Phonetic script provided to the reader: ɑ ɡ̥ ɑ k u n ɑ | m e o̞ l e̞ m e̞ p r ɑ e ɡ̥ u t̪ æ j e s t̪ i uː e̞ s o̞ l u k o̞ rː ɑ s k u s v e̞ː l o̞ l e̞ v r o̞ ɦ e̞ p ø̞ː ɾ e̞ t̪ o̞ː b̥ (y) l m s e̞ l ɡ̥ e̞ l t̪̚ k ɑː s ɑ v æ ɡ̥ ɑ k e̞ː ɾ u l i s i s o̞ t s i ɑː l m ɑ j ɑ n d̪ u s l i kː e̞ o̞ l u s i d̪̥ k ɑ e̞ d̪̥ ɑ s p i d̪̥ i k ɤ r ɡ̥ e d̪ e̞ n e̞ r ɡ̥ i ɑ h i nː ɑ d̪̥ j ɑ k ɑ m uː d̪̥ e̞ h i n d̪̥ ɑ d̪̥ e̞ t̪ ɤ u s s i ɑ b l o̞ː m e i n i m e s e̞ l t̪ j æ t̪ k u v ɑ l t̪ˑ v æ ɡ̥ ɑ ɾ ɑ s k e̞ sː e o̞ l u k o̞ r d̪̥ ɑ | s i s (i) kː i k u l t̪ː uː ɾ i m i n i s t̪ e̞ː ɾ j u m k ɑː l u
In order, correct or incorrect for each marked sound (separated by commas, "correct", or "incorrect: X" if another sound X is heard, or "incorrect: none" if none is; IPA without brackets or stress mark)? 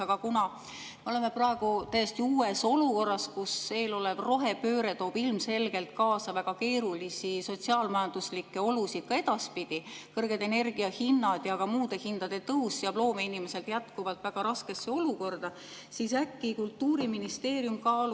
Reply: incorrect: i, incorrect: æ